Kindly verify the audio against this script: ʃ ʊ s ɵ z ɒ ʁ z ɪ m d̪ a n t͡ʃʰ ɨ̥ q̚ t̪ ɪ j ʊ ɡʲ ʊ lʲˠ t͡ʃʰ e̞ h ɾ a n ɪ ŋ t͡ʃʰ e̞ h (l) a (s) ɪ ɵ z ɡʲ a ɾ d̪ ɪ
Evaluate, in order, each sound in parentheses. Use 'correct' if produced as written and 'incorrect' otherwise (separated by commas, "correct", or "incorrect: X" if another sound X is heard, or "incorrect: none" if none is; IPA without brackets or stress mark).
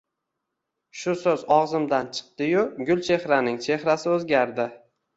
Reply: incorrect: ɾ, correct